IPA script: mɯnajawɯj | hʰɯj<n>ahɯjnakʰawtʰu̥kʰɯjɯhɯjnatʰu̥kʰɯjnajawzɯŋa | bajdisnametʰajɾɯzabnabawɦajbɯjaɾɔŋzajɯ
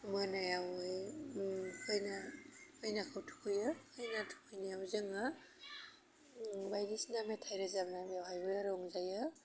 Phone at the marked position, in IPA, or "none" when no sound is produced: n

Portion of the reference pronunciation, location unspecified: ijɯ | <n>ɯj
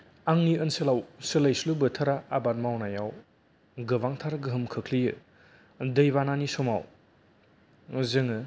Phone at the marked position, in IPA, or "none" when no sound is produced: d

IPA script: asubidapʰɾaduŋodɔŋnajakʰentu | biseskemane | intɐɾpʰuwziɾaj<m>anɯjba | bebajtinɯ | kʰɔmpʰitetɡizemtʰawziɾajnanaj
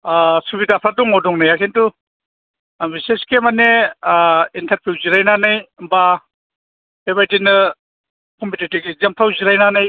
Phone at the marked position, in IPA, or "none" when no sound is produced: n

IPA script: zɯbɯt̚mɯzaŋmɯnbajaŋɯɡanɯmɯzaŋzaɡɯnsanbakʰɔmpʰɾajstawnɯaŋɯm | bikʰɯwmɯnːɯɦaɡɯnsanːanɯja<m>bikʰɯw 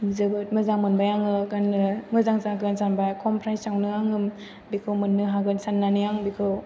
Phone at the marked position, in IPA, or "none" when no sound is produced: ŋ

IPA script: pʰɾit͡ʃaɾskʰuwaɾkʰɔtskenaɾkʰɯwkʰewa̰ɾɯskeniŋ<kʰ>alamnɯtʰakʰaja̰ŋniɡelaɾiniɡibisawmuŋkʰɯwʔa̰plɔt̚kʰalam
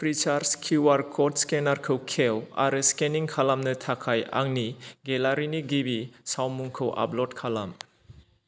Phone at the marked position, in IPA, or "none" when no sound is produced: kʰ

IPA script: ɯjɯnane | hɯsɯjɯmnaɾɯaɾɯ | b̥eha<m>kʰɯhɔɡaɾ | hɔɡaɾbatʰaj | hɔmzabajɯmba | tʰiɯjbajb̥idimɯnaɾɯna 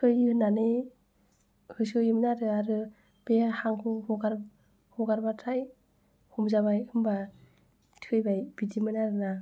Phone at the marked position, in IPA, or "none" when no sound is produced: ŋ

